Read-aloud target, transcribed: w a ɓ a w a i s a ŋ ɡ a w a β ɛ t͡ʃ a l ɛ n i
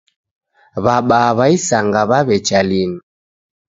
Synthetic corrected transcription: β a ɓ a β a i s a ŋ ɡ a β a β ɛ t͡ʃ a l i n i